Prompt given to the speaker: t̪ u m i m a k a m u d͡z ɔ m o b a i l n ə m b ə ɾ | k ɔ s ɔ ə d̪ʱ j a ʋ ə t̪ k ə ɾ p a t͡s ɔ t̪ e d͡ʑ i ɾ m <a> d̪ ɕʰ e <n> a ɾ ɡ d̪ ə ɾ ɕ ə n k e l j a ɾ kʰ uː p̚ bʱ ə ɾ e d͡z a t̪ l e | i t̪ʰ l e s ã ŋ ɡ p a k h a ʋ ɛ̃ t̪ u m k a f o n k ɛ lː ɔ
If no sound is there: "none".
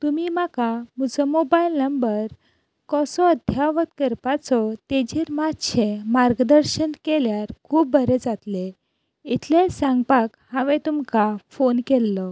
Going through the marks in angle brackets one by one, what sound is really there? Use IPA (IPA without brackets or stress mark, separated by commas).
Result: a, m